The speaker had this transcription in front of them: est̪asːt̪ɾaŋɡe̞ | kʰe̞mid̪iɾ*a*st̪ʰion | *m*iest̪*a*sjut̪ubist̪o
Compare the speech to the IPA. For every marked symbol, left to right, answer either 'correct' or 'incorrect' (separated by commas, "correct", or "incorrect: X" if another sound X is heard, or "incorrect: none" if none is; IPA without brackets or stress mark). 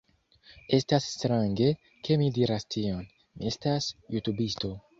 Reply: correct, correct, correct